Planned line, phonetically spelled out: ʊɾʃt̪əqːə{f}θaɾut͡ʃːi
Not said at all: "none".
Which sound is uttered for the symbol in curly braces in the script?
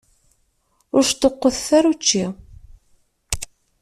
θ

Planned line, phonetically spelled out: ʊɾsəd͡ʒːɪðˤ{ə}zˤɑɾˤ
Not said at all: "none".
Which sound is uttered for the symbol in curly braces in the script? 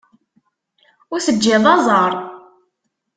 ɑ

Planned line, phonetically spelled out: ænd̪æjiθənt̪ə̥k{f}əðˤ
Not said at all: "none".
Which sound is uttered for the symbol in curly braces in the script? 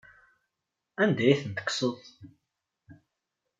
s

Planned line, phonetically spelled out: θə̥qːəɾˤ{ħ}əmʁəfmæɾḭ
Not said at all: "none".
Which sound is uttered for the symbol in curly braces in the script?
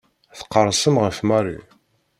s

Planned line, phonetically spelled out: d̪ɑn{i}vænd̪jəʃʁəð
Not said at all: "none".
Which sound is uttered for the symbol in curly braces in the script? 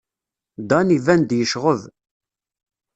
i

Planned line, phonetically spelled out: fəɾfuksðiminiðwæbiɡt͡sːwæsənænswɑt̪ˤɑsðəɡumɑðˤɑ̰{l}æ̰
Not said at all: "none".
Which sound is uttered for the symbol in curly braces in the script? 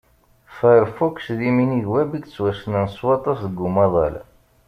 l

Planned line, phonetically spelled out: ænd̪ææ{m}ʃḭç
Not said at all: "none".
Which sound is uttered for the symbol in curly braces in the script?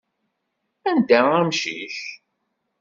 m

